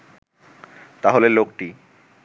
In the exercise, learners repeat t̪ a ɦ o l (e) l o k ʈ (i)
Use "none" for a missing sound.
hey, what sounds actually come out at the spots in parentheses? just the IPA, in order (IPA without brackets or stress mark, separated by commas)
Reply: e, i